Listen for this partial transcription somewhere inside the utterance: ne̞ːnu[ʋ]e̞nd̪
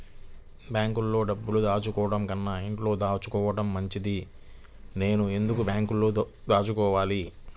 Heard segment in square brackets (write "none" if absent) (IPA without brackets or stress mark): none